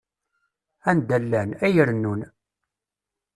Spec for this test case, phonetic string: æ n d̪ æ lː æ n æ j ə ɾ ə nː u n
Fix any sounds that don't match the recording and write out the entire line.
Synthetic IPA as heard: æ n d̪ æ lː æ n æ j ə ɾ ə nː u n